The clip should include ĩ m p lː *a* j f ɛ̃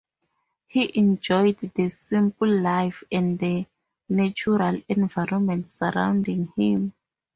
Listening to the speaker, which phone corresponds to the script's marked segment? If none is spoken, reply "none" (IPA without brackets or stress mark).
a